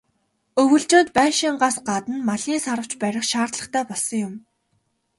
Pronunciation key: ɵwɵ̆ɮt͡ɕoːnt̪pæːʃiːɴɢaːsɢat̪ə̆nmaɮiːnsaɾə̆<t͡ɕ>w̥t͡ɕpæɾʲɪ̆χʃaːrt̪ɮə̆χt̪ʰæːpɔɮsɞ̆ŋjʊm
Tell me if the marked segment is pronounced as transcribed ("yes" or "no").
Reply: no